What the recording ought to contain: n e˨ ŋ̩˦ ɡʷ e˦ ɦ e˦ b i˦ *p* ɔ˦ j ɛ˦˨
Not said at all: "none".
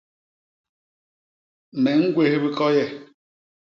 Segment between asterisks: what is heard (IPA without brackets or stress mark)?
k